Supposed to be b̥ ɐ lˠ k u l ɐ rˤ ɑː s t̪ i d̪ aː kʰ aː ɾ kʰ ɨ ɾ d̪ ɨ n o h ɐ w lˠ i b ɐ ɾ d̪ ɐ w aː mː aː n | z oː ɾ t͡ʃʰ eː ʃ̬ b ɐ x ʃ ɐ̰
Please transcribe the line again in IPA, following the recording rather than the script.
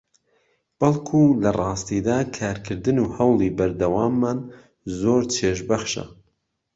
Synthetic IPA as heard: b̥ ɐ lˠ kʰ u l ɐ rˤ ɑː s t̪ i d̪ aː kʰ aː ɾ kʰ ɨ ɾ d̪ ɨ n u h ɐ w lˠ i b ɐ ɾ d̪ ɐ w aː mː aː n | z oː ɾ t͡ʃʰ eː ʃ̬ b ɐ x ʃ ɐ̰